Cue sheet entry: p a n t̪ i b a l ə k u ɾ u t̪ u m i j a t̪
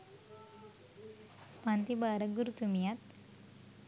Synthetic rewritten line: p a n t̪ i b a ɾ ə ɡ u ɾ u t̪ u m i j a t̪

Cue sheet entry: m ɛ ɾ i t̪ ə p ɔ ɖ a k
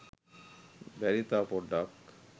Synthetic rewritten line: b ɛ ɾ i t̪ a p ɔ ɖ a k

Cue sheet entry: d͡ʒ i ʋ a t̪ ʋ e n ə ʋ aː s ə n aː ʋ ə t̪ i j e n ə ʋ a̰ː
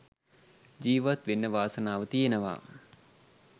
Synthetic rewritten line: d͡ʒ iː ʋ a t̪ ʋ e nː ə ʋ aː s ə n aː ʋ ə t̪ i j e n ə ʋ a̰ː

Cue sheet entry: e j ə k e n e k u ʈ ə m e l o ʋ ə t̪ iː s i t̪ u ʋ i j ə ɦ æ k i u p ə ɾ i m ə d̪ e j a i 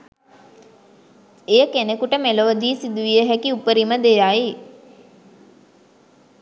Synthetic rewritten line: e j ə k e n e k u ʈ ə m e l o ʋ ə d̪ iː s i d̪ u ʋ i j ə ɦ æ k i u p ə ɾ i m ə d̪ e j a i

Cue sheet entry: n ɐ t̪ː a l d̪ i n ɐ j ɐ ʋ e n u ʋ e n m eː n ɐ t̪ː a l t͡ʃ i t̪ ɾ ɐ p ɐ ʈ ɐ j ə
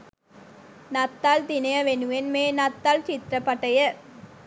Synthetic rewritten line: n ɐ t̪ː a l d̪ i n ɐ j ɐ ʋ e n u ʋ e n m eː n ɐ t̪ː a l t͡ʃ i t̪ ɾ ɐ p ɐ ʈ ɐ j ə

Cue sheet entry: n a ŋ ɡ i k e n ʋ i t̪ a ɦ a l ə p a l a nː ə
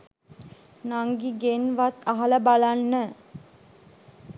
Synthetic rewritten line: n a ŋ ɡ i ɡ e n ʋ a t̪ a ɦ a l ə b a l a nː ə

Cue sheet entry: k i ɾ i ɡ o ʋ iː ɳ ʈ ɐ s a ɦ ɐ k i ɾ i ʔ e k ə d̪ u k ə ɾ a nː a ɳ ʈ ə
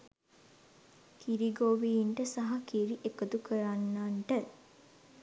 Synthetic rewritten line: k i ɾ i ɡ o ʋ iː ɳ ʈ ə s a ɦ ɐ k i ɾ i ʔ e k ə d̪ u k ə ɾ a nː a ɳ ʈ ə

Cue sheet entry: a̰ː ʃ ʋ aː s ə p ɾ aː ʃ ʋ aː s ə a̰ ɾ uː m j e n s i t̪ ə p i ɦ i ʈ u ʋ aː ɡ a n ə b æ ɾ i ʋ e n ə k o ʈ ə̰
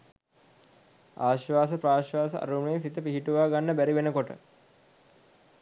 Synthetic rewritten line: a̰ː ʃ ʋ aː s ə p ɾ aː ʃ ʋ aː s ə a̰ ɾ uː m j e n s i t̪ ə p i ɦ i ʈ u ʋ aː ɡ a nː ə b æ ɾ i ʋ e n ə k o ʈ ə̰

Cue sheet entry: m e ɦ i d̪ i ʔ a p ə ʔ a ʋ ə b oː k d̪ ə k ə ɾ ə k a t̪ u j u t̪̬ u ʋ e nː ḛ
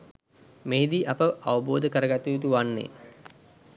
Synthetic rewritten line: m e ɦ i d̪ i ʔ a p ə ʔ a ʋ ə b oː d̪ ə k ə ɾ ə ɡ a t̪ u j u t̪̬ u ʋ a nː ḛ

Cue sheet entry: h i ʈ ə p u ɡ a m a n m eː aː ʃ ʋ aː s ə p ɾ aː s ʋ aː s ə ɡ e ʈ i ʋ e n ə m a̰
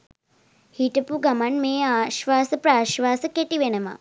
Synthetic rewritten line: h i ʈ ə p u ɡ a m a n m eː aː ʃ ʋ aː s ə p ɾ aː ʃ ʋ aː s ə k e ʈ i ʋ e n ə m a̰

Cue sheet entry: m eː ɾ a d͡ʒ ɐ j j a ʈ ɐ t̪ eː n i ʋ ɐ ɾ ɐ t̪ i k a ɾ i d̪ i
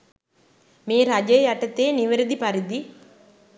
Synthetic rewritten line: m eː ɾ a d͡ʒ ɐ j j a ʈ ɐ t̪ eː n i ʋ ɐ ɾ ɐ d̪ i p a ɾ i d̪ i

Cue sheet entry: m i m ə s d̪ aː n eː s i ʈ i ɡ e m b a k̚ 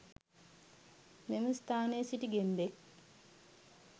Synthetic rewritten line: m e m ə s t̪ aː n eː s i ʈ i ɡ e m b e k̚

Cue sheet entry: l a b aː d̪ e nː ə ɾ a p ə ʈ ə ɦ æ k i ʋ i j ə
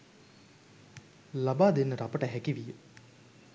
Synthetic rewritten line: l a b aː d̪ e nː ə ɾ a p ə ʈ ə ɦ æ k i ʋ i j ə

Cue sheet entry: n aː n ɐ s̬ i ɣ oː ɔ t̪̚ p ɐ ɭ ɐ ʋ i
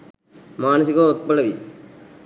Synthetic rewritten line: m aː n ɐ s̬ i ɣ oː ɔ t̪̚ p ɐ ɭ ɐ ʋ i

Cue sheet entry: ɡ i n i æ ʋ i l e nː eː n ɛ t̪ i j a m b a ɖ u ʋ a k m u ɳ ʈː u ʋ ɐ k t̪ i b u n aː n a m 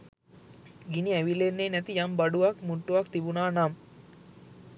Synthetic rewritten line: ɡ i n i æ ʋ i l e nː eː n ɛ t̪ i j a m b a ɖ u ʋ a k m u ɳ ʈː u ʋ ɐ k t̪ i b u n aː n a m

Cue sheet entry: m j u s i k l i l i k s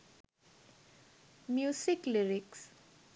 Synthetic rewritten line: m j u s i k l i ɾ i k s

